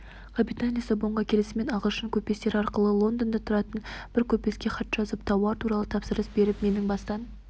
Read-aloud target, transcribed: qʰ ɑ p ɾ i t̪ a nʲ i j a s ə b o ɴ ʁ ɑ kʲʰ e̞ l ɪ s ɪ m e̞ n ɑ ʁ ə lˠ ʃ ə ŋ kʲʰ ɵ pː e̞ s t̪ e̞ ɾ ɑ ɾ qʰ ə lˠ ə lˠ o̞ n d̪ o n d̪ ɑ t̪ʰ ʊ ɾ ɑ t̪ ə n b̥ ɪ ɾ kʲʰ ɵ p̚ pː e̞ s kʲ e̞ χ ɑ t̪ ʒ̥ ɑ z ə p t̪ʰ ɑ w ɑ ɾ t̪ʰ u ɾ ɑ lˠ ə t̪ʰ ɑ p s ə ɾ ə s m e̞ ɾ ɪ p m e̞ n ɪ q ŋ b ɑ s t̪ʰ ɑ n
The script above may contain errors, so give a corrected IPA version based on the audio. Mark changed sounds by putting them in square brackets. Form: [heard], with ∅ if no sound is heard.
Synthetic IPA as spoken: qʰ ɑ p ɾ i t̪ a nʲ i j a s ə b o ɴ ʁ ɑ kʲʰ e̞ l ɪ s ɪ m e̞ n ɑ ʁ ə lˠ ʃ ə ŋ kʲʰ ɵ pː e̞ s t̪ e̞ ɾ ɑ ɾ [q] ə lˠ ə lˠ o̞ n d̪ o n d̪ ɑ t̪ʰ ʊ ɾ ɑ t̪ ə n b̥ ɪ ɾ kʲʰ ɵ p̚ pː e̞ s kʲ e̞ χ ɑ t̪ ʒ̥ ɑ z ə p t̪ʰ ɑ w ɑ ɾ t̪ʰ u ɾ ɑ lˠ ə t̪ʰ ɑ p s ə ɾ ə s [b] e̞ ɾ ɪ p m e̞ n ɪ [∅] ŋ b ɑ s [t̪] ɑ n